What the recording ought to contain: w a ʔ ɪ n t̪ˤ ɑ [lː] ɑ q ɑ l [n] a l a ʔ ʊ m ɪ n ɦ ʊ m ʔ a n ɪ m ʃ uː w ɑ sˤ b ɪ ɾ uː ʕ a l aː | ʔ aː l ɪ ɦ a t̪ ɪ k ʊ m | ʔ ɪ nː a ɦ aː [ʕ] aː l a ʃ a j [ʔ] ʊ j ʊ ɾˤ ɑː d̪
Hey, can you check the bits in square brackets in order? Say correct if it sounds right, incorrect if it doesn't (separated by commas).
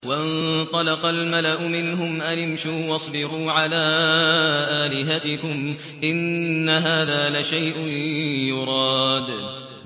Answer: incorrect, incorrect, incorrect, correct